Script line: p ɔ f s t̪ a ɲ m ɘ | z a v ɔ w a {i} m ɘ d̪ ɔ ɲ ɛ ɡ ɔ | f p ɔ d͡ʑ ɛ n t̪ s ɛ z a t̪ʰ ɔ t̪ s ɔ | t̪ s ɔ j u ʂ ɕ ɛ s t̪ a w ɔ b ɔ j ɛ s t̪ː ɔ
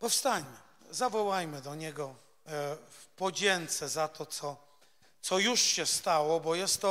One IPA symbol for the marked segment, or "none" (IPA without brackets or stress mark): j